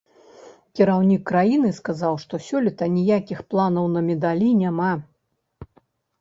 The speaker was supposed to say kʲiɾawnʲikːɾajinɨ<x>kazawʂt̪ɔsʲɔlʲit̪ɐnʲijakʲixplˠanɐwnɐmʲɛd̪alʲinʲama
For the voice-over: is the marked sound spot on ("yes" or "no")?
no